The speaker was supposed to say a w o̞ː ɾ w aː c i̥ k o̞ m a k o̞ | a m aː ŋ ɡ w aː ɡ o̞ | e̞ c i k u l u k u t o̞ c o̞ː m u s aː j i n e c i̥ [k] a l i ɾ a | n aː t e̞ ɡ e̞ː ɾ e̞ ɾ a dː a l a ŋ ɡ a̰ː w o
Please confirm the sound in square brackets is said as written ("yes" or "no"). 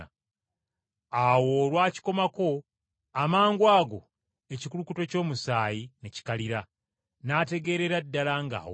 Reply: yes